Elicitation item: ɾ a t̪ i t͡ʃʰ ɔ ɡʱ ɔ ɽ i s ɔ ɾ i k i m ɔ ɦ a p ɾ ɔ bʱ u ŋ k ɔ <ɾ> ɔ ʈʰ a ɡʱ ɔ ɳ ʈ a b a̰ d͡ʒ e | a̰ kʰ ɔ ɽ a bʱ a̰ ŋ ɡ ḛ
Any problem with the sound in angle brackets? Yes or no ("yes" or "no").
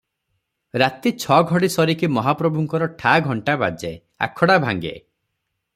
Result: no